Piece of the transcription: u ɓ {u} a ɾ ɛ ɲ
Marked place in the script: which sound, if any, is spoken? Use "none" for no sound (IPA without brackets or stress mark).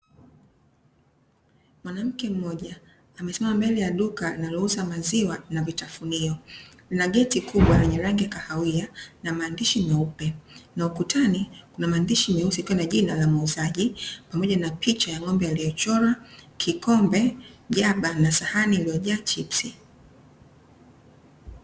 w